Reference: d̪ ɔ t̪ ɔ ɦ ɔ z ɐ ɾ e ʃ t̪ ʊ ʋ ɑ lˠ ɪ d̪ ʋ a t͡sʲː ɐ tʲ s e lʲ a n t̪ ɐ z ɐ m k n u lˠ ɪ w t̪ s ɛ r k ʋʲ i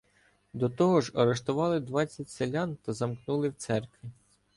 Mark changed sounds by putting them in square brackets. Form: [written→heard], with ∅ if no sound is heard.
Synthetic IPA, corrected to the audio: d̪ ɔ t̪ ɔ ɦ ɔ [z→ʒ] ɐ ɾ e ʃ t̪ ʊ ʋ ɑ lˠ ɪ d̪ ʋ [a→ɑ] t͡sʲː ɐ tʲ s e lʲ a n t̪ ɐ z ɐ m k n u lˠ ɪ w t̪ s ɛ r k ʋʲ i